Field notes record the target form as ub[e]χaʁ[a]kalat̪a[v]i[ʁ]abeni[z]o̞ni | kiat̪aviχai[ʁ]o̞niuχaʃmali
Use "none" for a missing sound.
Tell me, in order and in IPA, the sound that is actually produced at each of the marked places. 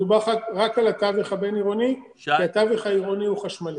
a, a, v, χ, ʁ, ʁ

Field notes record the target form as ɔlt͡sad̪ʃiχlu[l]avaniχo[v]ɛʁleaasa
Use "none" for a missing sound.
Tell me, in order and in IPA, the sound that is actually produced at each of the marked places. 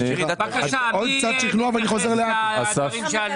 none, z

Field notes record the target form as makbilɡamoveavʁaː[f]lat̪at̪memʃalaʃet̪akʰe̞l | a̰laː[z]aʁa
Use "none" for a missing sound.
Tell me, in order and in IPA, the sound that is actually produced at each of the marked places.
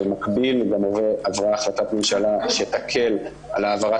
χ, v

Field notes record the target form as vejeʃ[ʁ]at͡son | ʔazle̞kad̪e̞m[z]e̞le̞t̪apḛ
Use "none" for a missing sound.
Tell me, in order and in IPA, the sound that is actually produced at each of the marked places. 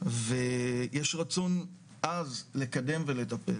ʁ, v

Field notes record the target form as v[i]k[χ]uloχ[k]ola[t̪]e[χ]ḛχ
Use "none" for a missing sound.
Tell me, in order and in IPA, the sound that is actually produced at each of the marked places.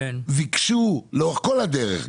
i, ʃ, k, d̪, ʁ

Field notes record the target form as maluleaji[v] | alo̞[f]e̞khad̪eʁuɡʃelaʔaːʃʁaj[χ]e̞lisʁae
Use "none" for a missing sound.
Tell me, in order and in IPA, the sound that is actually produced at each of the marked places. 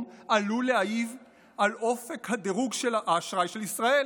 v, f, ʃ

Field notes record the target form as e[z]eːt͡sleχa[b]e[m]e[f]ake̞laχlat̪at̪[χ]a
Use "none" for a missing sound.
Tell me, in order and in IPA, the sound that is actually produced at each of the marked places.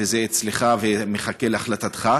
z, v, m, χ, χ

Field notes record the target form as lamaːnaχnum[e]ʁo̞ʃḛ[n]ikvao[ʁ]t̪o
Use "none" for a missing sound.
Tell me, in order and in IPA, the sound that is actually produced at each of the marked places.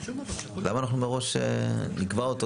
e, n, none

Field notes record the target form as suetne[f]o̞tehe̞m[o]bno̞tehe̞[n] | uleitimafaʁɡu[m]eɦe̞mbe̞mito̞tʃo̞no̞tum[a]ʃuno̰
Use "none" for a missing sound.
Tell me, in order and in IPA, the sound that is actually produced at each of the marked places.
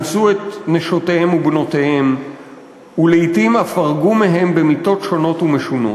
ʃ, u, m, m, e

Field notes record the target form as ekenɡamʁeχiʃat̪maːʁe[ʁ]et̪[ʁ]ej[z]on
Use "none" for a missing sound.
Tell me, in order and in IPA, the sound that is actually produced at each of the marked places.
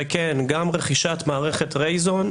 χ, ʁ, z

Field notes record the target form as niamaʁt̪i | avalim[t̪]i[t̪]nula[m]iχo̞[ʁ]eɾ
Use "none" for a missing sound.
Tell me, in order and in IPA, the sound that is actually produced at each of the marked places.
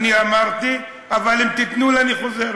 t̪, t̪, n, z

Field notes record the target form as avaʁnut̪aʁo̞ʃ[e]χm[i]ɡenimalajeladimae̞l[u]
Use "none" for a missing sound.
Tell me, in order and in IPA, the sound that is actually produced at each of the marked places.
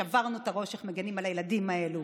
e, e, u

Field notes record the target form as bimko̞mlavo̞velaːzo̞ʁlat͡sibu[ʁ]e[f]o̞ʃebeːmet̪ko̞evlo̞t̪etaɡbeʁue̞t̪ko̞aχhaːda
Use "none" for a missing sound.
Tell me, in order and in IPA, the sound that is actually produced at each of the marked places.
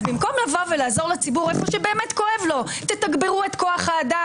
ʁ, f

